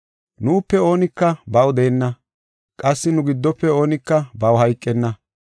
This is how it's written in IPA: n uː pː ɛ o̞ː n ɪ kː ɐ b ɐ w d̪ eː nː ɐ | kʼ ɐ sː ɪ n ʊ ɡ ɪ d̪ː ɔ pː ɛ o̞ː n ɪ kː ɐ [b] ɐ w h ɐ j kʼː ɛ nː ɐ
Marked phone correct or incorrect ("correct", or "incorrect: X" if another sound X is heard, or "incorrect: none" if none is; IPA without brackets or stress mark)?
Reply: correct